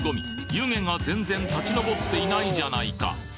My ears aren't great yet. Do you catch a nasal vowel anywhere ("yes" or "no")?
yes